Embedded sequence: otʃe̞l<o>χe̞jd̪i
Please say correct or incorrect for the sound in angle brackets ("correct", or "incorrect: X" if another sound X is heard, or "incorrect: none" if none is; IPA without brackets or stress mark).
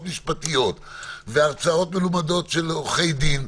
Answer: correct